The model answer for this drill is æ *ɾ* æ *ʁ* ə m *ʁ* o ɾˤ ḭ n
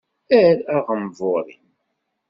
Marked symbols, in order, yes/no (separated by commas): yes, yes, no